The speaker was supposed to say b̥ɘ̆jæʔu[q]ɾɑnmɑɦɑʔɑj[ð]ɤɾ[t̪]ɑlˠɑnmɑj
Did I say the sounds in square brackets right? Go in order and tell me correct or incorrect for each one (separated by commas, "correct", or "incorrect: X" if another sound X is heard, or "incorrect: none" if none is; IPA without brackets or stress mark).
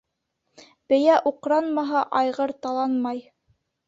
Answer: correct, incorrect: ʁ, correct